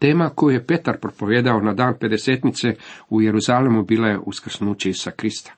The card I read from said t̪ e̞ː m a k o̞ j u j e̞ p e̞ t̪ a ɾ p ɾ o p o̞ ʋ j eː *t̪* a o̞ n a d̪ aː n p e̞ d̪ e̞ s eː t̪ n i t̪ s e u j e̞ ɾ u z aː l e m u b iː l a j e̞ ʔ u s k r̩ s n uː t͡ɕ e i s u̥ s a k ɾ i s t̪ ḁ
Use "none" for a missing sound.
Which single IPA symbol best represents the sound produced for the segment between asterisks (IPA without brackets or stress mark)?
d̪